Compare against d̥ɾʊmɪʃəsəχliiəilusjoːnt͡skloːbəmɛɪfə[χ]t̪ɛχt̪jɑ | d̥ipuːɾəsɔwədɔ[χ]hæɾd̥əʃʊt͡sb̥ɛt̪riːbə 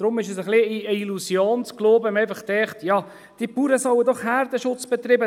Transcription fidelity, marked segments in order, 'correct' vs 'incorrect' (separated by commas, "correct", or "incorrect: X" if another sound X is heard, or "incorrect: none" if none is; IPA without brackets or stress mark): correct, correct